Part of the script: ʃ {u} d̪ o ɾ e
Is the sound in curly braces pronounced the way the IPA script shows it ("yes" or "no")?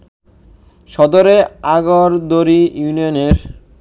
no